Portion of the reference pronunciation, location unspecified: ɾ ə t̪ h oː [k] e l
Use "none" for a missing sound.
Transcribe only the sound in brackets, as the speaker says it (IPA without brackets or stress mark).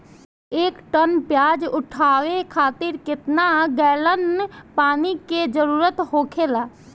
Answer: kʰ